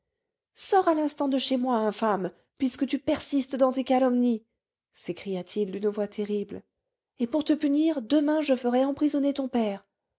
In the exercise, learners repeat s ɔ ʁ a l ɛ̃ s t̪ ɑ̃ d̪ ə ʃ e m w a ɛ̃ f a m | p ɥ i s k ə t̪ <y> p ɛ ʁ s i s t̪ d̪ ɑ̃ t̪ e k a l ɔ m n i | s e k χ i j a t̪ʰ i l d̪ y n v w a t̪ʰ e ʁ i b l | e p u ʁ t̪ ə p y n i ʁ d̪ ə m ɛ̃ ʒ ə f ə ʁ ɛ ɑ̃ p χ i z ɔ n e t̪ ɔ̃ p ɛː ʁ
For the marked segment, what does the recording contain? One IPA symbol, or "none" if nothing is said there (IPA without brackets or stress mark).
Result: y